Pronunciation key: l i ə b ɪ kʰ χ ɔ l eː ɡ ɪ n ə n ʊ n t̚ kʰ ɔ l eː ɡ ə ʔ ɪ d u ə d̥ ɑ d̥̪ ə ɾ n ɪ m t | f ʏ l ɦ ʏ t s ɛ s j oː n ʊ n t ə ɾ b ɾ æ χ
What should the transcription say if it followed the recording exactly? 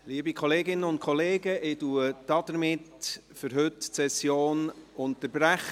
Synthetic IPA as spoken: l i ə b i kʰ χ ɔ l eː ɡ ɪ n ə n ʊ n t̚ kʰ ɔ l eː ɡ ə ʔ ɪ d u ə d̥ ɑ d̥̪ ə ɾ m ɪ t | f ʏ ɾ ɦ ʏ t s ɛ s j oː n ʊ n t ə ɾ b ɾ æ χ